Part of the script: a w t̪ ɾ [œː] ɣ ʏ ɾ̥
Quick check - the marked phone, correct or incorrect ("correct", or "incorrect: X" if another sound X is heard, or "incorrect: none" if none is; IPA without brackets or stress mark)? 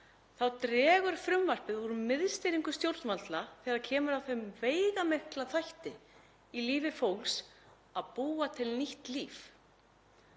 incorrect: ɛː